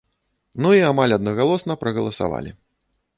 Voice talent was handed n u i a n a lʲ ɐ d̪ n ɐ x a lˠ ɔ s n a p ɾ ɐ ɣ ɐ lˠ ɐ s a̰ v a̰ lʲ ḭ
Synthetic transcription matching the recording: n u i a m a lʲ ɐ d̪ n ɐ ɣ a lˠ ɔ s n ɐ p ɾ ɐ ɣ ɐ lˠ ɐ s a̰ v a̰ lʲ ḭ

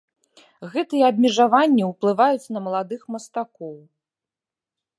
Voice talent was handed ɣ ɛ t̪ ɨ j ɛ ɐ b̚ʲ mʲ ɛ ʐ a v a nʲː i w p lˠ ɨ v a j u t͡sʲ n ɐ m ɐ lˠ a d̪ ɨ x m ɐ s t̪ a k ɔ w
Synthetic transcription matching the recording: ɣ ɛ t̪ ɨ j ɛ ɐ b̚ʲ mʲ ɛ ʐ a v a nʲː i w p lˠ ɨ v a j u t͡sʲ n ɐ m ɐ lˠ a d̪ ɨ x m ɐ s t̪ a k ɔ w

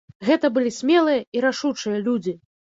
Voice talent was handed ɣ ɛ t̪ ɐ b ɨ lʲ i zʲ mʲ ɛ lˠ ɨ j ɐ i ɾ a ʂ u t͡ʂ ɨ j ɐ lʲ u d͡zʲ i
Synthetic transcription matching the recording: ɣ ɛ t̪ ɐ b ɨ lʲ i sʲ mʲ ɛ lˠ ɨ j ɐ i ɾ a ʂ u t͡ʂ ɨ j ɐ lʲ u d͡zʲ i

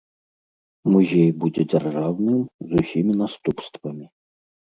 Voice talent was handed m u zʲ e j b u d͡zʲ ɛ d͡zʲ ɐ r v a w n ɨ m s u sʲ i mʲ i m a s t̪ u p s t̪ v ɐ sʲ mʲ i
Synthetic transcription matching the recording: m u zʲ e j b u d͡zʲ ɛ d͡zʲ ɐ r ʐ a w n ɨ m z u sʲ i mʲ i n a s t̪ u p s t̪ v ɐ mʲ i

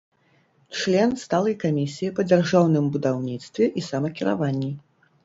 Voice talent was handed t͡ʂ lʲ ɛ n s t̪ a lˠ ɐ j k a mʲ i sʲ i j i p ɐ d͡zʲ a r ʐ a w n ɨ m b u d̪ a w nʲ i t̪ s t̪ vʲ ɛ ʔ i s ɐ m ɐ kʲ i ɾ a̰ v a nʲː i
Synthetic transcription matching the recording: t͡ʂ lʲ ɛ n s t̪ a lˠ ɐ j k a mʲ i sʲ i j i p ɐ d͡zʲ a r ʐ a w n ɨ m b u d̪ a w nʲ i t̪ s t̪ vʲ ɛ ʔ i s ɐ m ɐ kʲ i ɾ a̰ v a nʲː i

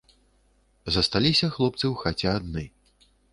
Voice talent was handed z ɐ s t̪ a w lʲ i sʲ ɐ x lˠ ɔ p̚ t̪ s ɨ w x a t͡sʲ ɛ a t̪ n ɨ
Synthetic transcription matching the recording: z ɐ s t̪ a lʲ i sʲ ɐ x lˠ ɔ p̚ t̪ s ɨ w x a t͡sʲ ɛ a d̪ n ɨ

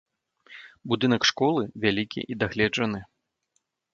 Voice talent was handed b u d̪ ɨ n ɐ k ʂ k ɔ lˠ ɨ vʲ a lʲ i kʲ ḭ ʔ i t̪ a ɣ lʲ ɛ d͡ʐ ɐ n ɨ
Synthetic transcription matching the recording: b u d̪ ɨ n ɐ k ʂ k ɔ lˠ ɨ vʲ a lʲ i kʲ ḭ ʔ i d̪ a ɣ lʲ ɛ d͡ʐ ɐ n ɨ

